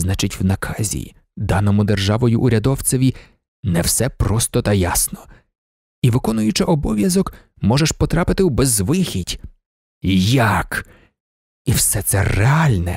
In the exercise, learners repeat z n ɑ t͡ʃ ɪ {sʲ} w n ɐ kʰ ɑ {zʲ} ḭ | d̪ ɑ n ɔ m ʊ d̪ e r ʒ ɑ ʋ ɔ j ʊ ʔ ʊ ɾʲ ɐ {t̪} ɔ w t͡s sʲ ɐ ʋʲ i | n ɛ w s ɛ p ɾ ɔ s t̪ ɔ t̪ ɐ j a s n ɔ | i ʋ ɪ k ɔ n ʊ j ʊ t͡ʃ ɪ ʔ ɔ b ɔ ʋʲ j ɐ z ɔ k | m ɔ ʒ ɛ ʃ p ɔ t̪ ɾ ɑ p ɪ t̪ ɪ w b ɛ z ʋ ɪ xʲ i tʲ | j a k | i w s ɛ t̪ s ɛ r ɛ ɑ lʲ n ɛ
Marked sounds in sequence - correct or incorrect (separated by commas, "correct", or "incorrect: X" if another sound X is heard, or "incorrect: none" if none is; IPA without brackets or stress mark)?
incorrect: tʲ, correct, incorrect: d̪